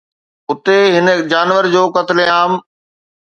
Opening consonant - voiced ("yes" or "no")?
no